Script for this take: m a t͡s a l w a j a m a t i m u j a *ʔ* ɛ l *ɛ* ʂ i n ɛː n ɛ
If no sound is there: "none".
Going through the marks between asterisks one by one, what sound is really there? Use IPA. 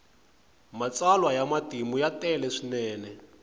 t, ɛ

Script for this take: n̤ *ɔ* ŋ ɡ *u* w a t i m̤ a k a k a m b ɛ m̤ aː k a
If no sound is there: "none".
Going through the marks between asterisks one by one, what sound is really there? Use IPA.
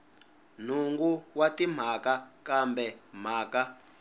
u, u

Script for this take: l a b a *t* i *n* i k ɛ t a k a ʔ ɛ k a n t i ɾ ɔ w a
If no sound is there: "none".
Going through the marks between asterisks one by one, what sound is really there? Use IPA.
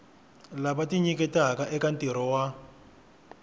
t, ɲ

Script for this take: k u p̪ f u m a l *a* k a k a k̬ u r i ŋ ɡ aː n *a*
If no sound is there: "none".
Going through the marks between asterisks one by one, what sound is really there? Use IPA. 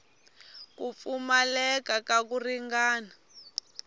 ɛ, a

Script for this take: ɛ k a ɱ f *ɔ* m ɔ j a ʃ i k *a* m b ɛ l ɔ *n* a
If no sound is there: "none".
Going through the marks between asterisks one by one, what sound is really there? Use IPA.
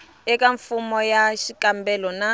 u, a, n

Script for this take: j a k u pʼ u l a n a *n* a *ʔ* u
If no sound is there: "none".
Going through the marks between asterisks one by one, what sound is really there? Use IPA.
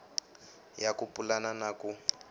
n, k

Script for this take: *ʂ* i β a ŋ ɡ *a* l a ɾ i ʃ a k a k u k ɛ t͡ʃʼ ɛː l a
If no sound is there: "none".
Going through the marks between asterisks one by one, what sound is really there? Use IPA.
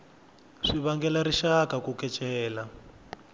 ʂ, ɛ

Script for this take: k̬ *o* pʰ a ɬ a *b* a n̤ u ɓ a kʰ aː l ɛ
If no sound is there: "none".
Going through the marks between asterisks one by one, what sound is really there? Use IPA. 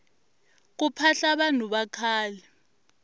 u, ɓ

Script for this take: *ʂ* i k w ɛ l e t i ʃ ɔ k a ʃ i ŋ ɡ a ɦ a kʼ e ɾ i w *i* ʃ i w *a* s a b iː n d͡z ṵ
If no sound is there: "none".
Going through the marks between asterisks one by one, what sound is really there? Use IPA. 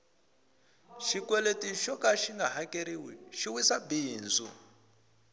ʃ, i, i

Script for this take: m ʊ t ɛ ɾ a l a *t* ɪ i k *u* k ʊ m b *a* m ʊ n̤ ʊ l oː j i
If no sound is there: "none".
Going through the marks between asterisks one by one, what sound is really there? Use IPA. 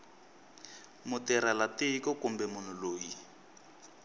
t, ɔ, ɛ

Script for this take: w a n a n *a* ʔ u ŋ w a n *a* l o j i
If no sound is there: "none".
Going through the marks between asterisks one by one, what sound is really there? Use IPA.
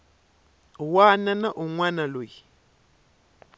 a, a

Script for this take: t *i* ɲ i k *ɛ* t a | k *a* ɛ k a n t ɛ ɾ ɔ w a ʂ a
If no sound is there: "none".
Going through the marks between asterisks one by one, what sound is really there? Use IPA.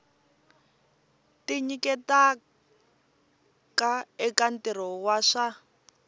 i, ɛ, a

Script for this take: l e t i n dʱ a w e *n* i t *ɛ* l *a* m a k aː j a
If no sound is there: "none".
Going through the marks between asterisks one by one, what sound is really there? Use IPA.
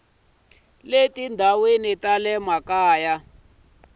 n, a, ɛ

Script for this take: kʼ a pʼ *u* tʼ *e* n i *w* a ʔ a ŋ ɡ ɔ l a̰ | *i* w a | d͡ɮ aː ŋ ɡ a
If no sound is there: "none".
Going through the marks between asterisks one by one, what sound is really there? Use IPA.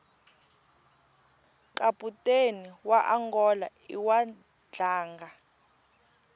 u, e, w, i

